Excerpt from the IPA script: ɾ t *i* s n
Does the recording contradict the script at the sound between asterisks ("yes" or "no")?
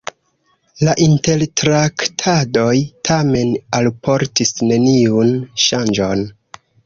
no